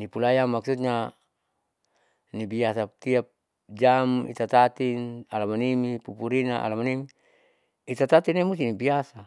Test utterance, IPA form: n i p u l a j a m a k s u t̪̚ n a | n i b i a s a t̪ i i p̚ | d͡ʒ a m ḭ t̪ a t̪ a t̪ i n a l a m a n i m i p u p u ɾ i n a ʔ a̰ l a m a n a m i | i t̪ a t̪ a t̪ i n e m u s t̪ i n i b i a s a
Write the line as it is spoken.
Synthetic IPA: n i p u l a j a m a k s u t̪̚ ɲ a | n i b i a s a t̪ i a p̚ | d͡ʒ a m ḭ t̪ a t̪ a t̪ i n a l a m a n i m i p u p u ɾ i n a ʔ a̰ l a m a n i m i | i t̪ a t̪ a t̪ i n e m u s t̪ i n i b i a s a